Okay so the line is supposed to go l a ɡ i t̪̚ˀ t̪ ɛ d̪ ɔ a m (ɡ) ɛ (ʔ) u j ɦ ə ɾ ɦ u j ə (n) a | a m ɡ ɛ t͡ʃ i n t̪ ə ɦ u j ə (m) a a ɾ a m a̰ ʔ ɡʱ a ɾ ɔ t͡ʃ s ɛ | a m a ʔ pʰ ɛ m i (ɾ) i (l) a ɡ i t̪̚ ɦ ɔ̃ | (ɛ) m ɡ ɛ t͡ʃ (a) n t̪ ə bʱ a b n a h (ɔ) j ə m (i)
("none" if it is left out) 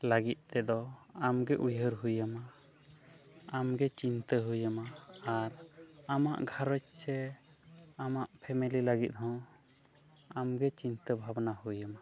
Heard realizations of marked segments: ɡ, ʔ, m, m, l, l, a, i, u, a

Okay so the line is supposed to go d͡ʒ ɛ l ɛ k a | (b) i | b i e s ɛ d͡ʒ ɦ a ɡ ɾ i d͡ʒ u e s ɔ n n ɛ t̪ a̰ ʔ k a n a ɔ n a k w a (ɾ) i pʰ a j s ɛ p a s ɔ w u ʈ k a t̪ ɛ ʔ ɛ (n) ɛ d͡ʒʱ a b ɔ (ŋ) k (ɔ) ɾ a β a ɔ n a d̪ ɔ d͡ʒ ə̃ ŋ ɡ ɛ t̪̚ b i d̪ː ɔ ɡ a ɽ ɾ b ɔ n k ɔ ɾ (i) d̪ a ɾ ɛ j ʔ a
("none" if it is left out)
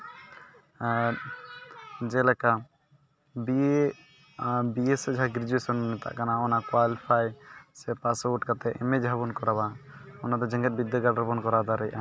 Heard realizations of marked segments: b, l, m, n, ɔ, a

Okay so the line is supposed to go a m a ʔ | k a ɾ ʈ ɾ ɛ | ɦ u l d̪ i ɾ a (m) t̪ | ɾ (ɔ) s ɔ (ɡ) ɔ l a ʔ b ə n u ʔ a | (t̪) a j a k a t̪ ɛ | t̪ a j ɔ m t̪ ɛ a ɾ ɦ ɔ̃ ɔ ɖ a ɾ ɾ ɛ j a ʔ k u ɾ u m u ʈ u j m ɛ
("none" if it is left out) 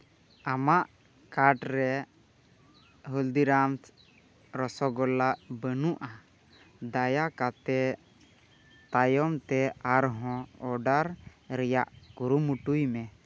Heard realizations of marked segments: m, ɔ, ɡ, d̪

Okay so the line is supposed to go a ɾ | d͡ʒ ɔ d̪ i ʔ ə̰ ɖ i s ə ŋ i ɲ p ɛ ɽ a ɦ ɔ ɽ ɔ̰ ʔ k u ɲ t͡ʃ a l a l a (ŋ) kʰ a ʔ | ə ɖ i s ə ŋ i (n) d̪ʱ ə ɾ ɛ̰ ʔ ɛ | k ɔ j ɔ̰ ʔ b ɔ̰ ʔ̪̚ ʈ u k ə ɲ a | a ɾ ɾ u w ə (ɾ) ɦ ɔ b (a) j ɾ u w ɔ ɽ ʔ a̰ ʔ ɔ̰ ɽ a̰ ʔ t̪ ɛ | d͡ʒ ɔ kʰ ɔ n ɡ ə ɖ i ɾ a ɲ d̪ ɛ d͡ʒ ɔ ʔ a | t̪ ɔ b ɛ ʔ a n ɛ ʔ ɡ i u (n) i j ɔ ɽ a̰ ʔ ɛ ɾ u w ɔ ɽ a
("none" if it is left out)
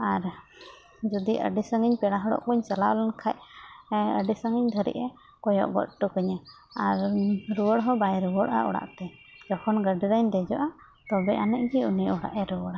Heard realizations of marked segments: n, ɲ, ɽ, a, n

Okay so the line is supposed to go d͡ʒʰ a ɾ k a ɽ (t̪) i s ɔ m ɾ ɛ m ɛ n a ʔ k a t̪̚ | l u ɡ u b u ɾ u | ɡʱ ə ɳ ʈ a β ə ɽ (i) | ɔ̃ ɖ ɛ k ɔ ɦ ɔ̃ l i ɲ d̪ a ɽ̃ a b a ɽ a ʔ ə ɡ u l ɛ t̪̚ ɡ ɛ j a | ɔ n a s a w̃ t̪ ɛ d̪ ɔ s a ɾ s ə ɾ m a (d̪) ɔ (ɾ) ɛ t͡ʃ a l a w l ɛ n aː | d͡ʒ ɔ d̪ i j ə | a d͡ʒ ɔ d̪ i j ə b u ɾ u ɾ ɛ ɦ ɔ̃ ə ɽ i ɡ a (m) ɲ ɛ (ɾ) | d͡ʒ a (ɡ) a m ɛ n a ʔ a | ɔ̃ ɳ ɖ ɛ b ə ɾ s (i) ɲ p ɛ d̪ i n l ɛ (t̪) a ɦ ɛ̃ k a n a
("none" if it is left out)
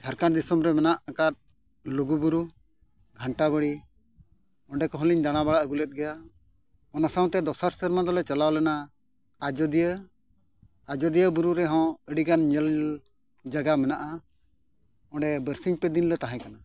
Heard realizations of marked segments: d̪, i, d̪, l, n, l, ɡ, i, t̪

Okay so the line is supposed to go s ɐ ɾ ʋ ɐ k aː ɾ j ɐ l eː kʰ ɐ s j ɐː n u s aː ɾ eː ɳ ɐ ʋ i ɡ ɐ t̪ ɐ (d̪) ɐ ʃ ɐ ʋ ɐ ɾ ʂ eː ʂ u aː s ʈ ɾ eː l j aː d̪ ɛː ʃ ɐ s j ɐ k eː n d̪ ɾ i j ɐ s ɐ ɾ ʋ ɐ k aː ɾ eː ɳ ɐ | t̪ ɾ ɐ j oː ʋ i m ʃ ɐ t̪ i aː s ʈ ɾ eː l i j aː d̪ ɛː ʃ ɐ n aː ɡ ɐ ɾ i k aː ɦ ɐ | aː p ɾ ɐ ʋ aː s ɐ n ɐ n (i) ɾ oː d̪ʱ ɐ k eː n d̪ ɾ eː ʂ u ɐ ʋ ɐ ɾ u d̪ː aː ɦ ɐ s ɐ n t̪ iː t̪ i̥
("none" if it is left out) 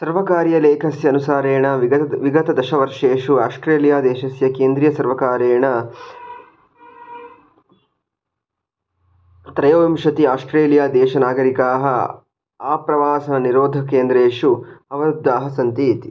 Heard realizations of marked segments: d̪, i

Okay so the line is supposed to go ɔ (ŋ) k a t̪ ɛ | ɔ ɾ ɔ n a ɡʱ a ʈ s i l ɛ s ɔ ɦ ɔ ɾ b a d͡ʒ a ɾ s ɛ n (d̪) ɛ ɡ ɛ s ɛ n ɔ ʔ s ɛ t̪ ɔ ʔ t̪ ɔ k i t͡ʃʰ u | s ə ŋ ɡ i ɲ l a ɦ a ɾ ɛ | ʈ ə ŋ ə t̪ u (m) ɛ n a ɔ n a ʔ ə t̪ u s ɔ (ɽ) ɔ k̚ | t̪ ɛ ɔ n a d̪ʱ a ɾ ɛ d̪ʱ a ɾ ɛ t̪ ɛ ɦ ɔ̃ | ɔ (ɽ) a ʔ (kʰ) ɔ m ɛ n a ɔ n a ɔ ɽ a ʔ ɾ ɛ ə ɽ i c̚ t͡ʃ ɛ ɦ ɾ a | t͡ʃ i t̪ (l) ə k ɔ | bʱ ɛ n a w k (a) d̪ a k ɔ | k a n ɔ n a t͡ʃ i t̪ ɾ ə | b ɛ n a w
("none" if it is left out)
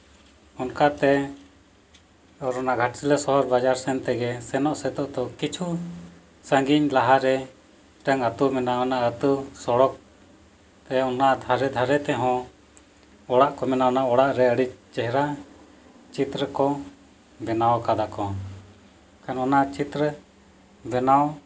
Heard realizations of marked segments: n, t̪, m, ɽ, ɽ, k, ɾ, a

